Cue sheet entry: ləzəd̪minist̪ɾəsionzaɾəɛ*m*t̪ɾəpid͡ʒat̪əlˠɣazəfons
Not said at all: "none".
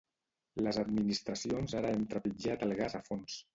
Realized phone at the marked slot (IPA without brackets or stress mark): m